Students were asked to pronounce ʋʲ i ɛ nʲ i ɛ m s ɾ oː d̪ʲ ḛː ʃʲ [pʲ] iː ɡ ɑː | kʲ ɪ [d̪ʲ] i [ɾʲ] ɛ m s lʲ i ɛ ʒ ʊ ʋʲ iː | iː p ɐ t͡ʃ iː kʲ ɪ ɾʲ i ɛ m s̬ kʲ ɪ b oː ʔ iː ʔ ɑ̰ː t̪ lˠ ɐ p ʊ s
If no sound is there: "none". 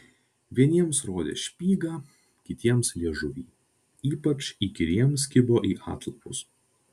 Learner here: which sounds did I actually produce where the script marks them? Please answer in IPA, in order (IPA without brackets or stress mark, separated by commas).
pʲ, t̪ʲ, none